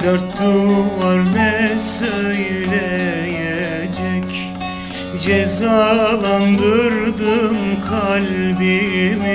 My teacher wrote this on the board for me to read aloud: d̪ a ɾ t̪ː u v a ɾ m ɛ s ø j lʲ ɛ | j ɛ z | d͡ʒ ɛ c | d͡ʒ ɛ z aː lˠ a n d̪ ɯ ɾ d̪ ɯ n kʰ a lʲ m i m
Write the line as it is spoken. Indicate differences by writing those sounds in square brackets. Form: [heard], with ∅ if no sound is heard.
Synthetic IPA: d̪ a ɾ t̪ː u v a ɾ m ɛ s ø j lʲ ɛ | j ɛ [∅] | d͡ʒ ɛ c | d͡ʒ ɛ z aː lˠ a n d̪ ɯ ɾ d̪ ɯ [m] kʰ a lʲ [b] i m